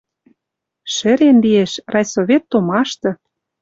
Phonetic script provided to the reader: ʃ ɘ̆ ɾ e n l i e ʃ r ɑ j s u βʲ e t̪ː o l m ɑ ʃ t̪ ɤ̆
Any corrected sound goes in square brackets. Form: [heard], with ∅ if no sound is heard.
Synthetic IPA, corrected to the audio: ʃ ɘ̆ ɾ e n l i e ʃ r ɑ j s [o] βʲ e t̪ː o [∅] m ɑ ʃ t̪ ɤ̆